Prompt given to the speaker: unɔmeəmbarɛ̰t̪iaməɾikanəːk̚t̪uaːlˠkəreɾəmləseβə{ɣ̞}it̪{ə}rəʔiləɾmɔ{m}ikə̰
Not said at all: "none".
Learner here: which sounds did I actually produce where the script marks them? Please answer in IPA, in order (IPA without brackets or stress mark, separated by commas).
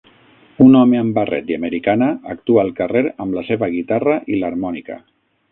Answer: ɣ̞, a, n